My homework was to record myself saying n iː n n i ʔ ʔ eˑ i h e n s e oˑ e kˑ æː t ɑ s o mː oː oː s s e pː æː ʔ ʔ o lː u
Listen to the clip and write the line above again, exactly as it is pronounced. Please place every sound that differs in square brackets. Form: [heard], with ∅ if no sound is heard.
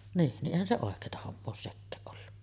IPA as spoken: n iː n n i ʔ ʔ eˑ i h [æ] n s e oˑ e kˑ [eː] t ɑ [h] o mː oː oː s s e [kː] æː ʔ ʔ o lː u